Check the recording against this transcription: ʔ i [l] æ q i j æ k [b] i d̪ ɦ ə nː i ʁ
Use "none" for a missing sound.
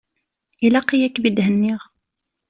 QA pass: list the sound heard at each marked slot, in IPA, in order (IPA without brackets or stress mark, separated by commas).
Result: l, b